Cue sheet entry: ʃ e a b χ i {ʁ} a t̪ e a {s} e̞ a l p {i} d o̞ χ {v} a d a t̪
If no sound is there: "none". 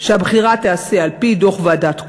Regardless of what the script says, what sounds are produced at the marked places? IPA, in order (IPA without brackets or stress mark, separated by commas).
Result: ʁ, s, i, v